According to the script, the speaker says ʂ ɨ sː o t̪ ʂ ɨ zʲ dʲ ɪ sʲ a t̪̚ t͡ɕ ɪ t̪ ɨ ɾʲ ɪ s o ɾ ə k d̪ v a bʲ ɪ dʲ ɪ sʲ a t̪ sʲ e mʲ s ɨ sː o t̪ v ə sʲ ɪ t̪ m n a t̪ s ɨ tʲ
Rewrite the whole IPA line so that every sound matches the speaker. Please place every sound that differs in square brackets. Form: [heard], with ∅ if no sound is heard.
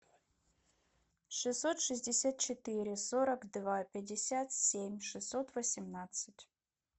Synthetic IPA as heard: ʂ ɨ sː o t̪ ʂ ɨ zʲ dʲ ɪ sʲ a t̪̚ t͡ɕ ɪ t̪ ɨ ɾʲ ɪ s o ɾ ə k d̪ v a [pʲ] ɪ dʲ ɪ sʲ a t̪ sʲ e mʲ [ʂ] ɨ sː o t̪ v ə sʲ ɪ [∅] m n a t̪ s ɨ tʲ